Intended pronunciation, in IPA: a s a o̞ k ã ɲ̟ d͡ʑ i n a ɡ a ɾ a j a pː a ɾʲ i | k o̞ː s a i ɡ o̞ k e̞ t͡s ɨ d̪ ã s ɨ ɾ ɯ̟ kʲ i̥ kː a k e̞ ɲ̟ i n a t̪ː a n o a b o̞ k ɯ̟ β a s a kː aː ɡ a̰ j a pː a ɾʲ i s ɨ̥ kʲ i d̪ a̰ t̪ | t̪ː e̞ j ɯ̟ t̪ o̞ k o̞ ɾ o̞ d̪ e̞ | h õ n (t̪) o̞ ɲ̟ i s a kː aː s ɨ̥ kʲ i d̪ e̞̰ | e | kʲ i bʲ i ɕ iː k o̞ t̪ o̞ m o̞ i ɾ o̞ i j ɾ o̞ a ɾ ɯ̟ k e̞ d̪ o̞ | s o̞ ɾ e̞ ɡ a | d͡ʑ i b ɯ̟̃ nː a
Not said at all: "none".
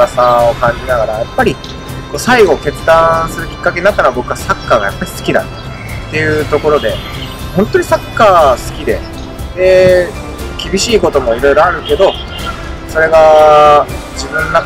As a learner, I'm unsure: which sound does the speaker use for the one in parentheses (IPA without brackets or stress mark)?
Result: t̪